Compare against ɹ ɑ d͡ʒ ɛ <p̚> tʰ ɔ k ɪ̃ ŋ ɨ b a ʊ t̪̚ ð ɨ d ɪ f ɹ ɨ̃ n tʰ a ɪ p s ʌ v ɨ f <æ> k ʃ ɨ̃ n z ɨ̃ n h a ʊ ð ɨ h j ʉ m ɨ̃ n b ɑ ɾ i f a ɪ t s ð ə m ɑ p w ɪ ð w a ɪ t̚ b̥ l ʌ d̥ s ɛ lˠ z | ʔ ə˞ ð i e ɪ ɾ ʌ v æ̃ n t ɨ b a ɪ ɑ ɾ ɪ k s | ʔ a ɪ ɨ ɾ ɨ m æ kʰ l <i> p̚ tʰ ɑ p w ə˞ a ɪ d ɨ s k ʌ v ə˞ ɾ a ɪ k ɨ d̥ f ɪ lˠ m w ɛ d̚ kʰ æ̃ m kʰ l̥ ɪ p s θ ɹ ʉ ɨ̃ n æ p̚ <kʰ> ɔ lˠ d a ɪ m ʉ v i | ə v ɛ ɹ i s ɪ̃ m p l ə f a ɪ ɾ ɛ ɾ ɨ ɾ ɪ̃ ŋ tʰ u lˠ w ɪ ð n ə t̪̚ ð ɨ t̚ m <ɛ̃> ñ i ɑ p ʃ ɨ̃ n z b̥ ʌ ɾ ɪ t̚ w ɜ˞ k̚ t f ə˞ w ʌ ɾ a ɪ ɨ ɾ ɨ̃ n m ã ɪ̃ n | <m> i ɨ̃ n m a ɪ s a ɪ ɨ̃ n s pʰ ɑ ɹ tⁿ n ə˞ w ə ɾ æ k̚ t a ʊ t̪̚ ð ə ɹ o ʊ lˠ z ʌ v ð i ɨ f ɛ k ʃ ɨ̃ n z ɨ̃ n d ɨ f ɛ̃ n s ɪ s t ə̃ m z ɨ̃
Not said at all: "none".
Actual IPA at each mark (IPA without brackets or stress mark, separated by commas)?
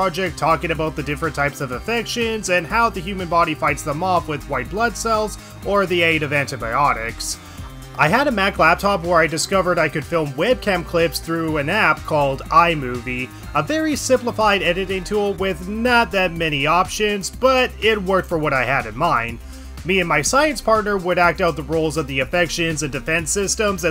k̚, ɛ, æ, kʰ, ɛ, m